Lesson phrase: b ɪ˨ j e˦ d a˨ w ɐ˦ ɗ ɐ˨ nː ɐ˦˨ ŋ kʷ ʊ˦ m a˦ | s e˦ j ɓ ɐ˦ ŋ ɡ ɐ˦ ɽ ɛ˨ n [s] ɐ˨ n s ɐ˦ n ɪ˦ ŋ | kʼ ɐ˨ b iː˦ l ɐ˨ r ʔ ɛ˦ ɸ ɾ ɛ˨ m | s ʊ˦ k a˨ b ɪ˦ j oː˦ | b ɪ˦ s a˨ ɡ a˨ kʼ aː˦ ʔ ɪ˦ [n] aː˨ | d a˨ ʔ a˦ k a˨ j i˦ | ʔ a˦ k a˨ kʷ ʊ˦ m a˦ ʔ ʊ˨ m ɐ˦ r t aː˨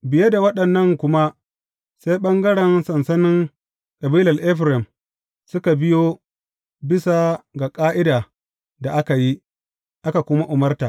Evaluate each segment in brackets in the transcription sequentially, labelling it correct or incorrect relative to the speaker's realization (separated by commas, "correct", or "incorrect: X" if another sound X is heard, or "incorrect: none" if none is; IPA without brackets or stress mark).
correct, incorrect: d